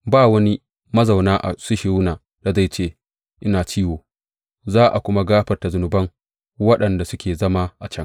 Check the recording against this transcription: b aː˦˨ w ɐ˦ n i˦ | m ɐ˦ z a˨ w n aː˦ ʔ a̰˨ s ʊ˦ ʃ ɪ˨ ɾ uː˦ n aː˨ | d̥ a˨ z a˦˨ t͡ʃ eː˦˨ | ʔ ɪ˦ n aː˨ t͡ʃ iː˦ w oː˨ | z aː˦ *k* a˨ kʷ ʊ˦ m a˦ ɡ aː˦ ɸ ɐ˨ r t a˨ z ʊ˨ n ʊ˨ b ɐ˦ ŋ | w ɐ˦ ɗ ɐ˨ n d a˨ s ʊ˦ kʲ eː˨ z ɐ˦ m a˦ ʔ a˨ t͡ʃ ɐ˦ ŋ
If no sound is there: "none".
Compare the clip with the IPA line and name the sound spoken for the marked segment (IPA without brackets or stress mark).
ʔ